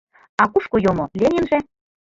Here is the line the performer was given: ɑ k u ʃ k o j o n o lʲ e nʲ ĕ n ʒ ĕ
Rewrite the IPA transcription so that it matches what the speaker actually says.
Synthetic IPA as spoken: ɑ k u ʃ k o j o m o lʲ e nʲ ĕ n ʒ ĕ